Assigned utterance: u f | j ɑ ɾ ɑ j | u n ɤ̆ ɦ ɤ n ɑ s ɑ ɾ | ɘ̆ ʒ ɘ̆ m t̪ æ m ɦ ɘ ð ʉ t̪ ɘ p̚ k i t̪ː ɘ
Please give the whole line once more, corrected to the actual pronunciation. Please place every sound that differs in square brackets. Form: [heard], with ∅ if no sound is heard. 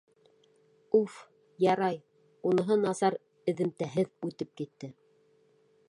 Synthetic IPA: u f | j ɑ ɾ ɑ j | u n ɤ̆ ɦ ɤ n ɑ s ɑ ɾ | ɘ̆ [ð] ɘ̆ m t̪ æ [∅] ɦ ɘ ð ʉ t̪ ɘ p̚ k i t̪ː ɘ